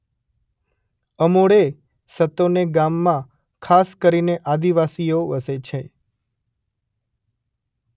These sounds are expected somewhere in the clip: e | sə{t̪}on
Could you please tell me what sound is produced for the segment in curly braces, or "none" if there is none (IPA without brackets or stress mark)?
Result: t̪